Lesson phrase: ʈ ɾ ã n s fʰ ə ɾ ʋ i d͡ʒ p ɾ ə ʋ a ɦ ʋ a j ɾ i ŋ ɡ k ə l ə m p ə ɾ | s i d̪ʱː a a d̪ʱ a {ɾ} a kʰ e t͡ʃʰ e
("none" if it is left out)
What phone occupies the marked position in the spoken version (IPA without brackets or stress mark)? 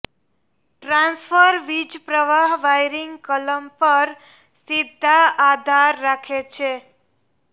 ɾː